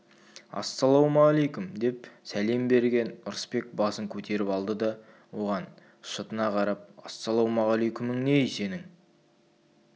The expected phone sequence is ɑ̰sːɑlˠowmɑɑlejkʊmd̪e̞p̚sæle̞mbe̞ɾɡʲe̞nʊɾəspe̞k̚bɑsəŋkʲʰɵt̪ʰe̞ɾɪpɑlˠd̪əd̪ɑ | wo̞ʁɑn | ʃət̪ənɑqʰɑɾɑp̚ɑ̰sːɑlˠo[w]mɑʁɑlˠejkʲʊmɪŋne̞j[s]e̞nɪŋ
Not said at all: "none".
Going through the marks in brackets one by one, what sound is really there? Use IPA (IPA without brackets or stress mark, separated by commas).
w, s